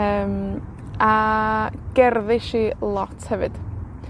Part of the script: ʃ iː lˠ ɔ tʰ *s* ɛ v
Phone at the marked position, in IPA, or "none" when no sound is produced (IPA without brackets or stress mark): h